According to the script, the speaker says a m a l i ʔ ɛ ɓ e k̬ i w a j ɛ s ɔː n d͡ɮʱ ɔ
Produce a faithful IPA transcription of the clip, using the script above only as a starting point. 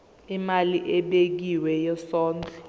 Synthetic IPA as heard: i m a l i ʔ ɛ ɓ e k̬ i w ɛ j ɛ s ɔː n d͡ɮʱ ɔ